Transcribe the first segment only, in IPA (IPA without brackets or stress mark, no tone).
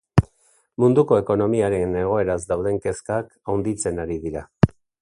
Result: m